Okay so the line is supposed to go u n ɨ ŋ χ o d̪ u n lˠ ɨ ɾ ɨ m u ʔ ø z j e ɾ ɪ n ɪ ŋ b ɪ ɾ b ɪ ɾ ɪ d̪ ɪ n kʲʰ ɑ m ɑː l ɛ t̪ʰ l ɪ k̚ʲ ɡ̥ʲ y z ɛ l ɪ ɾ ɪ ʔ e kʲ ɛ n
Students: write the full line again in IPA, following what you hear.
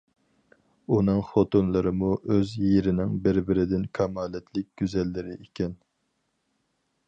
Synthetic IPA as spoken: u n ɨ ŋ χ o t̪ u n lˠ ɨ ɾ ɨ m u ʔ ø z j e ɾ ɪ n ɪ ŋ b ɪ ɾ b ɪ ɾ ɪ d̪ ɪ n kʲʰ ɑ m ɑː l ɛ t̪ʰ l ɪ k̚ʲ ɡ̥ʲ y z ɛ lː ɪ ɾ ɪ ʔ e kʲ ɛ n